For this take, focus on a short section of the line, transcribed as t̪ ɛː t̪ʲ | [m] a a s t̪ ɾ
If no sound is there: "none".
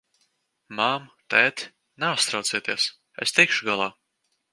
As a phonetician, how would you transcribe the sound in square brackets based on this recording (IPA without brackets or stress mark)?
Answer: n